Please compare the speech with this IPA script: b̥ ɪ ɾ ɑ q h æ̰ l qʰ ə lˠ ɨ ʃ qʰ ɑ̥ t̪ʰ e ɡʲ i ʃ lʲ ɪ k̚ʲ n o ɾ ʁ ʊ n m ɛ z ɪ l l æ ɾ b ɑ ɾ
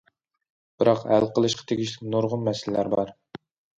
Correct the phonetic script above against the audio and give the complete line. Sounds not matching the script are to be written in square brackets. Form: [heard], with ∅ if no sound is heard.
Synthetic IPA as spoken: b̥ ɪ ɾ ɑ q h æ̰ l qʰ ə lˠ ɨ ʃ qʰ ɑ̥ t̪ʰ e ɡʲ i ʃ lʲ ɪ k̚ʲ n o ɾ ʁ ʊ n m ɛ [s] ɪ l l æ ɾ b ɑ ɾ